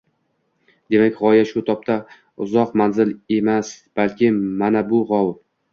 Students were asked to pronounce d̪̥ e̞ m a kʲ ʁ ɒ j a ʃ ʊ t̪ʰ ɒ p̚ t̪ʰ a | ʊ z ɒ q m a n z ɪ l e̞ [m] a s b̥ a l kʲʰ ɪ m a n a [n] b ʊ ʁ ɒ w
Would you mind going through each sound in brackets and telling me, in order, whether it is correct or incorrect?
correct, incorrect

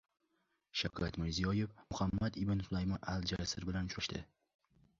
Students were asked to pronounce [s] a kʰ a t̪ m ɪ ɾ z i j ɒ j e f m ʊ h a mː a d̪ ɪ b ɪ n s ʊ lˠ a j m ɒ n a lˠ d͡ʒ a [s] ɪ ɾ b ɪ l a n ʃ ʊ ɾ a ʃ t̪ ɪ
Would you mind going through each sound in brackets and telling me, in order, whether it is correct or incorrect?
incorrect, correct

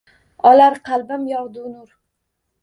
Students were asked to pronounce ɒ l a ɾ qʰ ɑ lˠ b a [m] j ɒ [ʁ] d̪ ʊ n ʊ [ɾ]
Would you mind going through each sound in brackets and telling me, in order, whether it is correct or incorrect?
correct, correct, correct

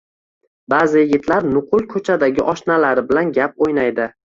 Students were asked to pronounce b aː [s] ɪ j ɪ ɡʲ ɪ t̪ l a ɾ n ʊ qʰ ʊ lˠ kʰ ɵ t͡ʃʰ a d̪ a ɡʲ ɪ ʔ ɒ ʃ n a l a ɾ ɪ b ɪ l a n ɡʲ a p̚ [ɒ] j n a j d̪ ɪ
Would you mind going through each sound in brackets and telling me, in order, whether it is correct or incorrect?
incorrect, incorrect

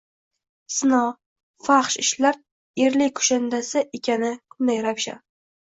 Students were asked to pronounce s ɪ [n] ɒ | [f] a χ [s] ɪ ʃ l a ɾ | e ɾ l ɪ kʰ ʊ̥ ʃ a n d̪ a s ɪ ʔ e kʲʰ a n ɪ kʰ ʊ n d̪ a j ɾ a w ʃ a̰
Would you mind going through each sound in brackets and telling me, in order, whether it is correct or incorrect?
correct, correct, incorrect

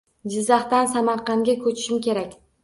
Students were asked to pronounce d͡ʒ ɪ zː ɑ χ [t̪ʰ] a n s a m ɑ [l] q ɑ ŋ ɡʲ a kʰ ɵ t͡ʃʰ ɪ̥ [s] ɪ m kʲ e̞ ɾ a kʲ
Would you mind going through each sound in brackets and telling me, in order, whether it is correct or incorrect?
incorrect, incorrect, incorrect

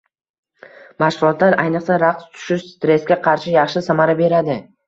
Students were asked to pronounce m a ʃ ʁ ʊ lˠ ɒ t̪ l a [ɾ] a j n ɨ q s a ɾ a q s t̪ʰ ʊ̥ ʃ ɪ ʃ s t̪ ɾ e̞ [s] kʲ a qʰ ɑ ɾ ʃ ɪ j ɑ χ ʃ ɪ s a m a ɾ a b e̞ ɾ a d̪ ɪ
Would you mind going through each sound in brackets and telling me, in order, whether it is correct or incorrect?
correct, correct

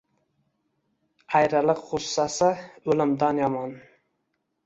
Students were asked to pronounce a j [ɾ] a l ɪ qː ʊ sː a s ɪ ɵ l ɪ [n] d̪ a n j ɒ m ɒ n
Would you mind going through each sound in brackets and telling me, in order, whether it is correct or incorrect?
correct, incorrect

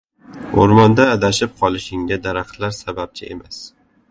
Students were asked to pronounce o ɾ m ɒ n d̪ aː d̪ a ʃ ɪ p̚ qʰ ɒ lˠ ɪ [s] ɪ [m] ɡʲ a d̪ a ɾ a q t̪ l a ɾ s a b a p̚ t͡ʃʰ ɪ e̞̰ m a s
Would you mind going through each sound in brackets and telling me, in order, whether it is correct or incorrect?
incorrect, incorrect

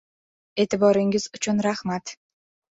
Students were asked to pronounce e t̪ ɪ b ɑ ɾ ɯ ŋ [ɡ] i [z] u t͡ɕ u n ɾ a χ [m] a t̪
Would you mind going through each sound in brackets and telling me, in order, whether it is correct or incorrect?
correct, correct, correct

